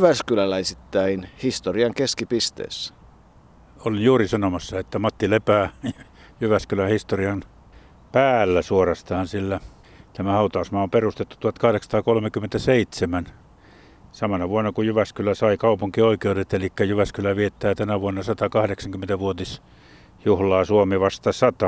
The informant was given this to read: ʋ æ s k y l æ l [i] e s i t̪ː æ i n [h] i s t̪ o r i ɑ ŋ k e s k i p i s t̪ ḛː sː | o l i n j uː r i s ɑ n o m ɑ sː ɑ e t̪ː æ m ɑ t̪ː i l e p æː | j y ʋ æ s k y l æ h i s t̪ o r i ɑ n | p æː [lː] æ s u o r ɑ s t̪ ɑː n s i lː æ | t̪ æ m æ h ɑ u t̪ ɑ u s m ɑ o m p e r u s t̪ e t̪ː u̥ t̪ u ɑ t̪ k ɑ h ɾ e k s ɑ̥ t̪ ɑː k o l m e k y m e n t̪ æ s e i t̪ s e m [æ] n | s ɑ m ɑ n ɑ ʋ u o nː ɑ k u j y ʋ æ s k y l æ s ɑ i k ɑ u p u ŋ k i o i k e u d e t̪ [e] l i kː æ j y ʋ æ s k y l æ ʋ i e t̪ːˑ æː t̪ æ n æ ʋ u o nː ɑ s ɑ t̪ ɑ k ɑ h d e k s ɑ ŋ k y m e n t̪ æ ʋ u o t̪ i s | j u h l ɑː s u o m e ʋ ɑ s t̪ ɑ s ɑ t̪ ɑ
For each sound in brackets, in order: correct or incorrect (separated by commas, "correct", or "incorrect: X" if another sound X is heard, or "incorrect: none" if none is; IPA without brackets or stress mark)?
incorrect: æ, correct, correct, correct, correct